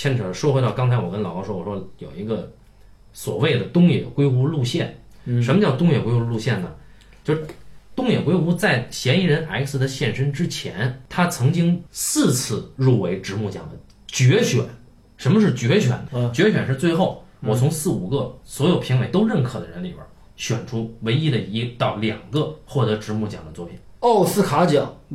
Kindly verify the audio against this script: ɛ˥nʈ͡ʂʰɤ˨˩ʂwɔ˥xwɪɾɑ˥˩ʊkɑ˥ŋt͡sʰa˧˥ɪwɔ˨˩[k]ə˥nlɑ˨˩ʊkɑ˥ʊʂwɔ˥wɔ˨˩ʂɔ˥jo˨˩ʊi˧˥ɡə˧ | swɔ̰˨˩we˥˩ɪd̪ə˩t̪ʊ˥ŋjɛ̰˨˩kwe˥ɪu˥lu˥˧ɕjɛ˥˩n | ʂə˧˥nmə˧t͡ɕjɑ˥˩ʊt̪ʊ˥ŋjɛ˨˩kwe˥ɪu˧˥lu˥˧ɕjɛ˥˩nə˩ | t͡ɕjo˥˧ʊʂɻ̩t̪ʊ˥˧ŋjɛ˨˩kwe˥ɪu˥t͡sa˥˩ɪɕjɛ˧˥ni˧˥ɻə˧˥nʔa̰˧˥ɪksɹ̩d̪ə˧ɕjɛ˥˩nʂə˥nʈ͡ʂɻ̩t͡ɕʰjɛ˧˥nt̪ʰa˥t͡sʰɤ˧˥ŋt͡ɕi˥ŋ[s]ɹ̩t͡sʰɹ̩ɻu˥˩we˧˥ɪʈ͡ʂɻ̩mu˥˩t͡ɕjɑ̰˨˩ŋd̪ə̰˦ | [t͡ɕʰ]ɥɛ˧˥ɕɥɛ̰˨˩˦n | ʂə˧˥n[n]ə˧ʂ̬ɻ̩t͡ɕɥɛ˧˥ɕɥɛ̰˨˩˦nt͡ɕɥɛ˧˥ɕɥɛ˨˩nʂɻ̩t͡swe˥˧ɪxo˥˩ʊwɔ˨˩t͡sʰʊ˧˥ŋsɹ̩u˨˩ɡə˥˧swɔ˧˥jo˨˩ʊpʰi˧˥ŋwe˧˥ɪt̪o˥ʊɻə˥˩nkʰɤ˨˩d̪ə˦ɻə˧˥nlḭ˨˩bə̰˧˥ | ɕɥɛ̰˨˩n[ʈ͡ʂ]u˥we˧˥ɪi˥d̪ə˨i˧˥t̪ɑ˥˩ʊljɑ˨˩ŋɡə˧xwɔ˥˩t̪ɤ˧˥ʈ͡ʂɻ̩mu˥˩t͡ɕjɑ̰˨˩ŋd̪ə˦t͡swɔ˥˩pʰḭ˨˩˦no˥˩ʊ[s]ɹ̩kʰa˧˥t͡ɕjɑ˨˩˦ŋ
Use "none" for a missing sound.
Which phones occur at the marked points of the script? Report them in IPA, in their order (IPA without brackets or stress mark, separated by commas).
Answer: k, s, t͡ɕ, m, ʈ͡ʂʰ, s